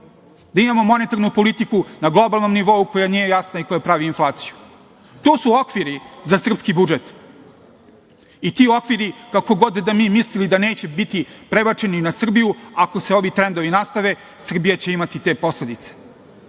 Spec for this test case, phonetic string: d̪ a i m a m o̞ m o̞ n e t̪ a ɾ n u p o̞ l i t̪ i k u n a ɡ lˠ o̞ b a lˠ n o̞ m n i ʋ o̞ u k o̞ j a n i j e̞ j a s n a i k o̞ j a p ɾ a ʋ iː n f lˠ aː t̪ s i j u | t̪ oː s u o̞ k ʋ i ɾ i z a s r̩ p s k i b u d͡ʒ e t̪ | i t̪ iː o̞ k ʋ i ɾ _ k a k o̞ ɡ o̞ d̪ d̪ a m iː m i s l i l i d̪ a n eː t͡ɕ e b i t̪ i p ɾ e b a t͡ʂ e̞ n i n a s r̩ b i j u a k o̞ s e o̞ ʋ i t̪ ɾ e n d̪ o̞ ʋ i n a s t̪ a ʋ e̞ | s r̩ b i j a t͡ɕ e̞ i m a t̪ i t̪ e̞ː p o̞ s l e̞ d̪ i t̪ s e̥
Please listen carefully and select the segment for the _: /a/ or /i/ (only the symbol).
i